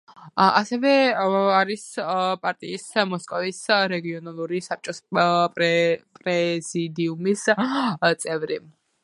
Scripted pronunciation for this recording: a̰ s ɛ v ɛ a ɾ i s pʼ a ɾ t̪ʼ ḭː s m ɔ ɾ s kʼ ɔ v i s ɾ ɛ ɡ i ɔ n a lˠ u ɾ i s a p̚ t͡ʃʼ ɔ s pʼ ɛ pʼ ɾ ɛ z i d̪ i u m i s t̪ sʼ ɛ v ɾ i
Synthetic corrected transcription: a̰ s ɛ v ɛ a ɾ i s pʼ a ɾ t̪ʼ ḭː s m ɔ s kʼ ɔ v i s ɾ ɛ ɡ i ɔ n a lˠ u ɾ i s a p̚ t͡ʃʼ ɔ s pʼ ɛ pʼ ɾ ɛ z i d̪ i u m i s t̪ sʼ ɛ v ɾ i